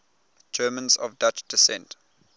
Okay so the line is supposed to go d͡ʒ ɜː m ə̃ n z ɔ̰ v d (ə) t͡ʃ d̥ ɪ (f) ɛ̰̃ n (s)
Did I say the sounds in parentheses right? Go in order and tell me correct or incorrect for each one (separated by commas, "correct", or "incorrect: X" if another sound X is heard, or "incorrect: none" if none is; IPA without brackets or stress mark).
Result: incorrect: a, incorrect: s, incorrect: t